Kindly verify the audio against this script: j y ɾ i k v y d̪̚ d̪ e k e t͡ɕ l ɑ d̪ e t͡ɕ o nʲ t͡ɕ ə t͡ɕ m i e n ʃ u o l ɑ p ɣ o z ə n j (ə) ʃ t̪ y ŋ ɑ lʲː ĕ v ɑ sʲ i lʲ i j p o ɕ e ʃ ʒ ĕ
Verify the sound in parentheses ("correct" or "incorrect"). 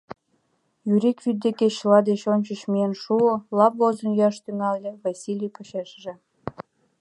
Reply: incorrect